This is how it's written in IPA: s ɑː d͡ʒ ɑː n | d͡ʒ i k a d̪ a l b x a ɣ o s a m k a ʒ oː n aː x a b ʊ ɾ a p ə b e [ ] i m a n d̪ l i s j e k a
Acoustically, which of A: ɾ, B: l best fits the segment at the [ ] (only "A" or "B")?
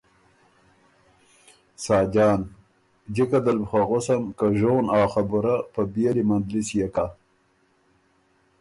B